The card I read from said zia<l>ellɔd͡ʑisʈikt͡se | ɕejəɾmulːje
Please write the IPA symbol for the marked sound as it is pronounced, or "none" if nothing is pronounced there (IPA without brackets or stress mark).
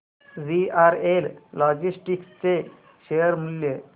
ɾ